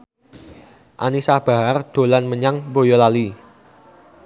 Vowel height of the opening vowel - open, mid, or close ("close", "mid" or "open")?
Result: open